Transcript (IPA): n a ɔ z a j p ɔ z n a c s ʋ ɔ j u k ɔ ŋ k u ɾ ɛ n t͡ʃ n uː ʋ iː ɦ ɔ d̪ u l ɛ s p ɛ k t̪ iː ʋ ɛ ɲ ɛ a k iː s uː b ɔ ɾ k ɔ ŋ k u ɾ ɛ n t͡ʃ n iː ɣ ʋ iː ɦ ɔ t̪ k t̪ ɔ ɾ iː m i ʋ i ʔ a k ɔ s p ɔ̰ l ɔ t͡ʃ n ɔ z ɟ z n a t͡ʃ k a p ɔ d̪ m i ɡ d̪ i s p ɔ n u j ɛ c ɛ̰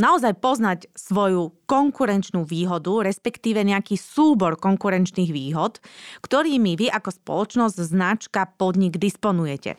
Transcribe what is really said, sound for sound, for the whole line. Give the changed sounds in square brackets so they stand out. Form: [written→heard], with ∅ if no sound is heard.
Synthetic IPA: n a ɔ z a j p ɔ z n a c s ʋ ɔ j u k ɔ ŋ k u ɾ ɛ n t͡ʃ n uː ʋ iː ɦ ɔ d̪ u [l→ɾ] ɛ s p ɛ k t̪ iː ʋ ɛ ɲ ɛ a k iː s uː b ɔ ɾ k ɔ ŋ k u ɾ ɛ n t͡ʃ n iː ɣ ʋ iː ɦ ɔ t̪ k t̪ ɔ ɾ iː m i ʋ i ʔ a k ɔ s p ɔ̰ l ɔ t͡ʃ n ɔ z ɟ z n a t͡ʃ k a p ɔ d̪ [m→ɲ] i ɡ d̪ i s p ɔ n u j ɛ c ɛ̰